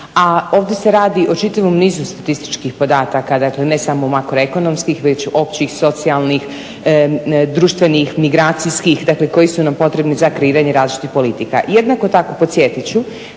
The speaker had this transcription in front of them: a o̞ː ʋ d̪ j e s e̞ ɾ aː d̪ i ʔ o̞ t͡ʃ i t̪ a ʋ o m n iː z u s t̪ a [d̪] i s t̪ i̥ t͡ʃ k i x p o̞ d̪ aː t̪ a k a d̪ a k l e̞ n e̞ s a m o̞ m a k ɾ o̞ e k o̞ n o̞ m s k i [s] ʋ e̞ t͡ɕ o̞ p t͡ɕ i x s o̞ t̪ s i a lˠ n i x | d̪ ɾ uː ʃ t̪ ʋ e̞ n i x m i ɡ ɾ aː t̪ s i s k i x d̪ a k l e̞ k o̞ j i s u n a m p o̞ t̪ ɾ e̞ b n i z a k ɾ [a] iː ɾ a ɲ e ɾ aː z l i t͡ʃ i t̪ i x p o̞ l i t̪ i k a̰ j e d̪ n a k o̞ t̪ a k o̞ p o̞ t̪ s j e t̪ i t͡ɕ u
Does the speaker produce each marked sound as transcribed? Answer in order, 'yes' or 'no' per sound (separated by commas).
no, no, no